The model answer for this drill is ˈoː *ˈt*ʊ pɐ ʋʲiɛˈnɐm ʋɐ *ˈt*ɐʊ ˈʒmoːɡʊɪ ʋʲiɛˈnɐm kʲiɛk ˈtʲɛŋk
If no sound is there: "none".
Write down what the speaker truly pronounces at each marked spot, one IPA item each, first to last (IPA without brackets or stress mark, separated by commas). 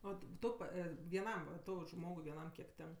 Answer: t, t